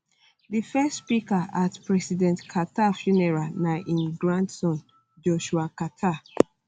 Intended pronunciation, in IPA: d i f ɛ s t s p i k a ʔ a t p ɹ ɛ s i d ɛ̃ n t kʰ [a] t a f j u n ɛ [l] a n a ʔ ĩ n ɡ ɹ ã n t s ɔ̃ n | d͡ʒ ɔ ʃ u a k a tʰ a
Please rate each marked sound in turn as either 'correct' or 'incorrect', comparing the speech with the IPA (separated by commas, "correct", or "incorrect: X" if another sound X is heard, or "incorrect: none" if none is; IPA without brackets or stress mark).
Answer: correct, incorrect: ɹ